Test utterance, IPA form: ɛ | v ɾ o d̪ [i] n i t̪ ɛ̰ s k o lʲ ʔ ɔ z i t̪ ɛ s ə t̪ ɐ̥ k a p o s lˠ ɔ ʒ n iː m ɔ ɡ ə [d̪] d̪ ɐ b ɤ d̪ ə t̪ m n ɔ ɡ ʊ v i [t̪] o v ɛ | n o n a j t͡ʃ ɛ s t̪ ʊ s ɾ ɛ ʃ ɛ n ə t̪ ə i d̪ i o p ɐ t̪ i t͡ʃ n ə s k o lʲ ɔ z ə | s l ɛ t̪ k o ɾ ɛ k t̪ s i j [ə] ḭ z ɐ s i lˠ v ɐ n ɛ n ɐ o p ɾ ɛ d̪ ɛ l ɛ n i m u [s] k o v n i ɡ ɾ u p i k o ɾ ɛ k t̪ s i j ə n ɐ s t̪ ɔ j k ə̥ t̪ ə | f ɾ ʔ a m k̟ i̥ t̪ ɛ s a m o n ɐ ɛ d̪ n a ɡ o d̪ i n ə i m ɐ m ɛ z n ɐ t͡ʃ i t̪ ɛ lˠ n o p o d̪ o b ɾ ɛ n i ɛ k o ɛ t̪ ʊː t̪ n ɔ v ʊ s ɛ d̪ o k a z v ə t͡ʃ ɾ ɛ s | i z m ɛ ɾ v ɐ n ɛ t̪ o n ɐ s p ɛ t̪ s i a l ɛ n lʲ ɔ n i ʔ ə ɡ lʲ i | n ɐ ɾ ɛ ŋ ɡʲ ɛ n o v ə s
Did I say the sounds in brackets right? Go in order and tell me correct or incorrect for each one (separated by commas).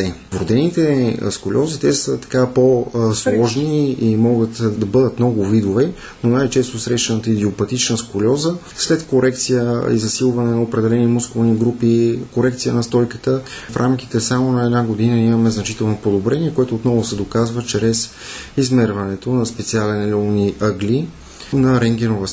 incorrect, incorrect, incorrect, correct, correct